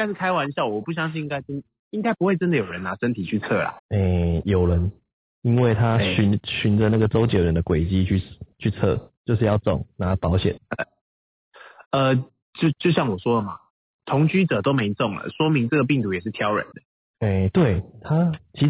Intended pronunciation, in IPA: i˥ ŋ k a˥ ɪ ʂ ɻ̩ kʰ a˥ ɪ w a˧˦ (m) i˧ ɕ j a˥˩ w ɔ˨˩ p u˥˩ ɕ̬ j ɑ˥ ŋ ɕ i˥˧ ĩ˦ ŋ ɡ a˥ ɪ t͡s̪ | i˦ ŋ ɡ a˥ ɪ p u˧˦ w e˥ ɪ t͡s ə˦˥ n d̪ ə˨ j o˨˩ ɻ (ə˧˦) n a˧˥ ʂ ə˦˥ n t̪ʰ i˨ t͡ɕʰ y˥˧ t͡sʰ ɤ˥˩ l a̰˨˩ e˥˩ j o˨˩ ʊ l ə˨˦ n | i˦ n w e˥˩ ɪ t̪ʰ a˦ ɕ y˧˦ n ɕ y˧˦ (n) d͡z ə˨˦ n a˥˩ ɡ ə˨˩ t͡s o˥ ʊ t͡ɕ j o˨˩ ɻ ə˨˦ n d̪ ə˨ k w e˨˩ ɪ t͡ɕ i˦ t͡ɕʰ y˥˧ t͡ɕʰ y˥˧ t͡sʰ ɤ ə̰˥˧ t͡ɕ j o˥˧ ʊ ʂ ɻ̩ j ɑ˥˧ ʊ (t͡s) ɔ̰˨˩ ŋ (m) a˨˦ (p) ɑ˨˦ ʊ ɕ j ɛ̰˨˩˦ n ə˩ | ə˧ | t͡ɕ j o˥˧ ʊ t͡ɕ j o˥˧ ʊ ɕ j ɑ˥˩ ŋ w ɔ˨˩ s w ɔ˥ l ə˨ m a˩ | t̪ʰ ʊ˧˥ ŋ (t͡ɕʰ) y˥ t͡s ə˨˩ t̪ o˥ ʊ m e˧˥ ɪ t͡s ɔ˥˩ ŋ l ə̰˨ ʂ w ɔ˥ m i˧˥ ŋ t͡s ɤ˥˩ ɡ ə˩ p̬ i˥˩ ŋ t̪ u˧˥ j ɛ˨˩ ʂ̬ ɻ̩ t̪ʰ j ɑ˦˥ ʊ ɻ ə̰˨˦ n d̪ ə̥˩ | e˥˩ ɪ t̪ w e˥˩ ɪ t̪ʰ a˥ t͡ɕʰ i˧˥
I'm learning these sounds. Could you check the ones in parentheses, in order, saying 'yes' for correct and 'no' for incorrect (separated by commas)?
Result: no, yes, yes, yes, no, yes, no